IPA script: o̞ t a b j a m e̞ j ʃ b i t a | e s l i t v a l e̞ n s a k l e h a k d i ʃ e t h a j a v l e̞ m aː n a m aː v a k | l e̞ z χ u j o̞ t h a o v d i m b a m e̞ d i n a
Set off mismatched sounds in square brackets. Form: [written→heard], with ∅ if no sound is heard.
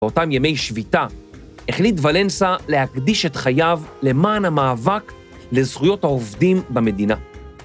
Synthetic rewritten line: o̞ t a [b→m] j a m e̞ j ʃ [b→v] i t a | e [s→χ] l i t v a l e̞ n s a [k→∅] l e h a k d i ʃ e t [h→χ] a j a v l e̞ m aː n a m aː v a k | l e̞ z χ u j o̞ t h a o v d i m b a m e̞ d i n a